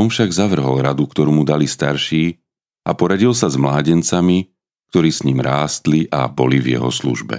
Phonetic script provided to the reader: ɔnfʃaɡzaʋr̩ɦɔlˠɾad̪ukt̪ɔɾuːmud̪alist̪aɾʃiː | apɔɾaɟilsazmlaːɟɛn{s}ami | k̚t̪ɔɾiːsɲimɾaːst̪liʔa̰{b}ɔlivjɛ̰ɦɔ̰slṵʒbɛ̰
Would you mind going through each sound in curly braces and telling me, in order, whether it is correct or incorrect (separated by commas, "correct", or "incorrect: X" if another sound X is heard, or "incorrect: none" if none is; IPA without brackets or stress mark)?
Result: incorrect: t͡s, correct